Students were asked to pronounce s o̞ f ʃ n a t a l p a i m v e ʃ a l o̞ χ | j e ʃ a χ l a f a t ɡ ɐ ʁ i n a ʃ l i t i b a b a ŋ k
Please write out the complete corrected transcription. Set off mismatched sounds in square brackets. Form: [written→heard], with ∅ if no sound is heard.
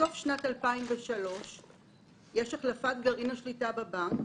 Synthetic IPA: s o̞ f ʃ n a t a l p a i m v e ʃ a l o̞ [χ→ʃ] | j e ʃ a χ l a f a t ɡ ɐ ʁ i n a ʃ l i t [i→a] b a b a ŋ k

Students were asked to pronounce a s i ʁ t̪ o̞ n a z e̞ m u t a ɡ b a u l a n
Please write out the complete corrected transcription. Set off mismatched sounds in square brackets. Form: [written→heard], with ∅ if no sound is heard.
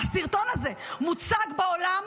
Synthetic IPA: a s i ʁ t̪ o̞ n a z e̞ m u [t→t͡s] a ɡ b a [u→o] l a [n→m]

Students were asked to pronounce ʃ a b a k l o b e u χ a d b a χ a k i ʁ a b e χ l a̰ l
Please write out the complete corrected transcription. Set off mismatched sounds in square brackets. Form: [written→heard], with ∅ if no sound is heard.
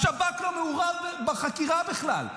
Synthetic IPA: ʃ a b a k l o [b→m] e u [χ→ʁ] a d b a χ a k i ʁ a b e χ l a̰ l

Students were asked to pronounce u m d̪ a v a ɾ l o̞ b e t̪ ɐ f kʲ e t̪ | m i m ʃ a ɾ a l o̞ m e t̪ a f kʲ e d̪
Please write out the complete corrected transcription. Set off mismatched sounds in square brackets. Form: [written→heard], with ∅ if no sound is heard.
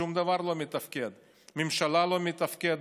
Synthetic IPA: u m d̪ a v a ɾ l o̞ [b→m] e t̪ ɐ f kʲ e [t̪→d̪] | m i m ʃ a [ɾ→l] a l o̞ m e t̪ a f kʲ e d̪

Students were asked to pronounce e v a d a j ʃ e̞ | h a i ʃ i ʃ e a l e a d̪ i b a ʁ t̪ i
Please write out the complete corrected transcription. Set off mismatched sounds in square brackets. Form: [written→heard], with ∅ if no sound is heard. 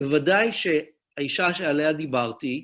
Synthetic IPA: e v a d a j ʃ e̞ | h a i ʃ [i→a] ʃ e a l e a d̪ i b a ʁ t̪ i

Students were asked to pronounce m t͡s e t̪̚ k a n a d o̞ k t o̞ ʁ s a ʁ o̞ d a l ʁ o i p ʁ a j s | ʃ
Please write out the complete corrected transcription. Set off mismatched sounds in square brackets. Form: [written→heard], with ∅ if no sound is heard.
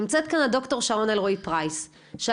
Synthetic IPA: m t͡s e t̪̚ k a n a d o̞ k t o̞ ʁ [s→ʃ] a ʁ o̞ [d→n] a l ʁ o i p ʁ a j s | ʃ

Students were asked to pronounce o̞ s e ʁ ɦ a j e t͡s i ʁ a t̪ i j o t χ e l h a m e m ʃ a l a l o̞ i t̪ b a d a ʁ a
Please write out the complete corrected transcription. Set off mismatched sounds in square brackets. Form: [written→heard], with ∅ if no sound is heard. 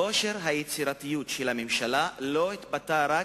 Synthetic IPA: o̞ [s→ʃ] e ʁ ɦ a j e t͡s i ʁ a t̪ i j [o→u] t [χ→ʃ] e l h a m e m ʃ a l a l o̞ i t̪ b a [d→t] a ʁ a

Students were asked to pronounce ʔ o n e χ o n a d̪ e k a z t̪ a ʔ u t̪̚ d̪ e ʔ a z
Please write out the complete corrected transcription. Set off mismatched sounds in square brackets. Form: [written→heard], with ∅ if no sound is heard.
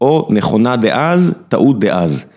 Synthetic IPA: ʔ o n e χ o n a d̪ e [k→ʔ] a z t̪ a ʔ u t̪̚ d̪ e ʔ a z

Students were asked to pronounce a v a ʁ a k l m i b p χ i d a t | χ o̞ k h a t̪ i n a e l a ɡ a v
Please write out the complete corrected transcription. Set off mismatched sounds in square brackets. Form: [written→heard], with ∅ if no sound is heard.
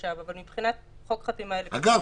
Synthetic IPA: a v a [ʁ→v] a [k→∅] l m i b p χ i [d→n] a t | χ o̞ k [h→χ] a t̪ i [n→m] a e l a ɡ a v

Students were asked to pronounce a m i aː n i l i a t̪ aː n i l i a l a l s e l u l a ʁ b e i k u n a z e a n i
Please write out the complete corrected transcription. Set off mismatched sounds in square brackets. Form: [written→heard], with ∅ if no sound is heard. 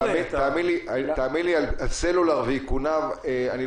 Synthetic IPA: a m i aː [n→m] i l i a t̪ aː [n→m] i l i a l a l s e l u l a ʁ [b→v] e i k u n a [z→v] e a n i

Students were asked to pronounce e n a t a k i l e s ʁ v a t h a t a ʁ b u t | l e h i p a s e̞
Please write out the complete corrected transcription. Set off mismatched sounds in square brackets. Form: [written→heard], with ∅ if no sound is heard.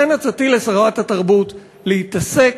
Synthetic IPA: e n a [t→t͡s] a [k→t] i l e s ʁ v a t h a t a ʁ b u t | l e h i [p→t] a s e̞

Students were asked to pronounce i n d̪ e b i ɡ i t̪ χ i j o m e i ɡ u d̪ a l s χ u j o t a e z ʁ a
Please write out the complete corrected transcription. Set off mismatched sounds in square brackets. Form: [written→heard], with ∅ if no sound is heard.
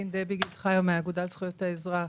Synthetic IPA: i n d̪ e b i ɡ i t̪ χ [i→a] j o m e [i→a] ɡ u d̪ a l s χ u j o t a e z ʁ a

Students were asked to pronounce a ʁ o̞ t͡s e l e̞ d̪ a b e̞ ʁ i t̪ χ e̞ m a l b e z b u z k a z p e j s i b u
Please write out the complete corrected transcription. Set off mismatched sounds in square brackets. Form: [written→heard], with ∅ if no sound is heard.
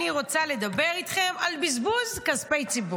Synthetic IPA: [a→i] ʁ o̞ t͡s [e→a] l e̞ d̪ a b e̞ ʁ i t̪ χ e̞ m a l b [e→i] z b u z k a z p e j [s→t͡s] i b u

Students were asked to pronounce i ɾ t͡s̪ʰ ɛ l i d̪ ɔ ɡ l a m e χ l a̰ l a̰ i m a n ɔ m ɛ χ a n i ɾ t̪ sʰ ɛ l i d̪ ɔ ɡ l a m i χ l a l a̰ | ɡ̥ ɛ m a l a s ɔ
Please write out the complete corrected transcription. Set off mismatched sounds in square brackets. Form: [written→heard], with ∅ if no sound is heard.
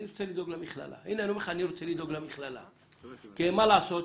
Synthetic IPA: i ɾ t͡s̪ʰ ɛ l i d̪ ɔ ɡ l a m [e→i] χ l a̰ l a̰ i [m→n] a n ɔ m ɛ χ a n i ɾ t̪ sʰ ɛ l i d̪ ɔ ɡ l a m i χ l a l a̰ | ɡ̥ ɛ m a l a s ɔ

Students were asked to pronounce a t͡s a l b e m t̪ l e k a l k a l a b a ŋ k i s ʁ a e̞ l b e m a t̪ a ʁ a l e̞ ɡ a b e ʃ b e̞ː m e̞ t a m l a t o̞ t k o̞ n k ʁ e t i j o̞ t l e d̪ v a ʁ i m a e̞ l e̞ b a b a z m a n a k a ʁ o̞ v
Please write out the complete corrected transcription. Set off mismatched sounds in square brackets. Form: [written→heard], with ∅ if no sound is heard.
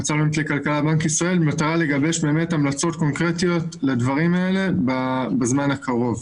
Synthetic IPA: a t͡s a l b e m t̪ l e k a l k a l a b a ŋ k i s ʁ a e̞ l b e m a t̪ a ʁ a l e̞ ɡ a b e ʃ b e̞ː m e̞ t a m l a [t→t͡s] o̞ t k o̞ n k ʁ e t i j o̞ t l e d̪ v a ʁ i m a e̞ l e̞ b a b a z m a n a k a ʁ o̞ v

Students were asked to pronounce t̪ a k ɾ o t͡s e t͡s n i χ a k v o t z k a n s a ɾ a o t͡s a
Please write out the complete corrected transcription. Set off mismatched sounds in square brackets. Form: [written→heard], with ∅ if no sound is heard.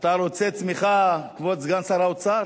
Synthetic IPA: t̪ a [k→∅] ɾ o t͡s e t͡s [n→m] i χ a k v o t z [k→ɡ] a n s a ɾ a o t͡s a

